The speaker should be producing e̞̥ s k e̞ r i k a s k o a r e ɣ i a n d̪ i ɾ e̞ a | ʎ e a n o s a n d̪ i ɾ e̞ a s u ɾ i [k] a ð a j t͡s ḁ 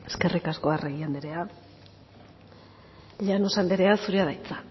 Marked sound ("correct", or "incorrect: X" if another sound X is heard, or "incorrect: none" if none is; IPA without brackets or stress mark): incorrect: none